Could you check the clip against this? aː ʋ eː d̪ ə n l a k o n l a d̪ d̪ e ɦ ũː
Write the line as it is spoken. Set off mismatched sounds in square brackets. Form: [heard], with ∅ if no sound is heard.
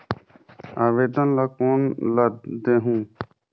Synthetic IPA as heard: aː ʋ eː d̪ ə n l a k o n l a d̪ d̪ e ɦ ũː